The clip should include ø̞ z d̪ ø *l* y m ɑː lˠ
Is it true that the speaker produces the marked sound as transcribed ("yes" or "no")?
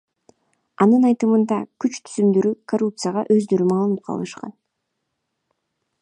no